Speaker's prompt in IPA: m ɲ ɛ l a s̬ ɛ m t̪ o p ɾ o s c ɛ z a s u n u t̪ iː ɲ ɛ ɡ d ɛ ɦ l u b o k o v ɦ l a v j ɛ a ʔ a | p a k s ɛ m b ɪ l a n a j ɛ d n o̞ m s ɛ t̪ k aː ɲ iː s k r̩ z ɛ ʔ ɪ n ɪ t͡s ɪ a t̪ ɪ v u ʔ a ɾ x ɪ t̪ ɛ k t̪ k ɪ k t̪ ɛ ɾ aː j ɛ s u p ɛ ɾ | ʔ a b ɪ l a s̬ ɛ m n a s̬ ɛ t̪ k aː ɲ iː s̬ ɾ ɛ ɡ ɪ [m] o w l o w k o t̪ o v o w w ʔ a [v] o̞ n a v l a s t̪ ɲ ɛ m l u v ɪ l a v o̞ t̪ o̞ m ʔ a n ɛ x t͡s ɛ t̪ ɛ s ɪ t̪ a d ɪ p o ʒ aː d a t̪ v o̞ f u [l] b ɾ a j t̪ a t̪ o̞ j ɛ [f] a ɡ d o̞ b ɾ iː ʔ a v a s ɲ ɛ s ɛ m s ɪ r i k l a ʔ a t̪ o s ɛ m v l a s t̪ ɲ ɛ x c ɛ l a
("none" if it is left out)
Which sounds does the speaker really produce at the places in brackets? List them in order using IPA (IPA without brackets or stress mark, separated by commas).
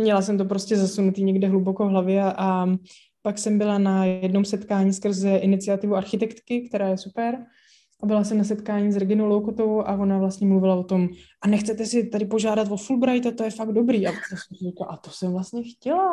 n, v, l, f